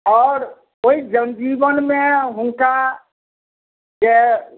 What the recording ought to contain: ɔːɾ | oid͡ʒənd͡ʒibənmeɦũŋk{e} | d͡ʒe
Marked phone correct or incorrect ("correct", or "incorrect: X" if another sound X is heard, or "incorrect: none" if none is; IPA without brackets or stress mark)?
incorrect: a